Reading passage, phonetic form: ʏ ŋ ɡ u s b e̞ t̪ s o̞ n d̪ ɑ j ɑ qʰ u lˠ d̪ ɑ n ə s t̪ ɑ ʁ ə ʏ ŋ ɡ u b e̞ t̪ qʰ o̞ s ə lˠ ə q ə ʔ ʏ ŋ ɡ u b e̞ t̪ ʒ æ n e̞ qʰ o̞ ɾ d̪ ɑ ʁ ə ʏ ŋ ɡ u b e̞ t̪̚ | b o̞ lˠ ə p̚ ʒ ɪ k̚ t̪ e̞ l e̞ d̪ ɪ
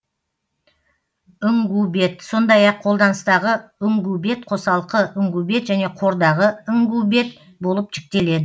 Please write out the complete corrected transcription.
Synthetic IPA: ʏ ŋ ɡ u b e̞ t̪ s o̞ n d̪ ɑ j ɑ qʰ o lˠ d̪ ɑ n ə s t̪ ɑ ʁ ə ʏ ŋ ɡ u b e̞ t̪ qʰ o̞ s ɑ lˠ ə q ə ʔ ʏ ŋ ɡ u b e̞ t̪ ʒ æ n e̞ qʰ o̞ ɾ d̪ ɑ ʁ ə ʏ ŋ ɡ u b e̞ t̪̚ | b o̞ lˠ ə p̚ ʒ ɪ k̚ t̪ e̞ l e̞ d̪ ɪ